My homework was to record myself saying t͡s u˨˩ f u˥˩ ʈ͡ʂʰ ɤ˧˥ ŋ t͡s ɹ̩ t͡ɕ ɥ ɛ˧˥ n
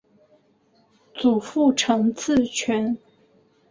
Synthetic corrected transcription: t͡s u˨˩ f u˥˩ ʈ͡ʂʰ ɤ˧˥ ŋ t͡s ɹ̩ t͡ɕʰ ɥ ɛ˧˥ n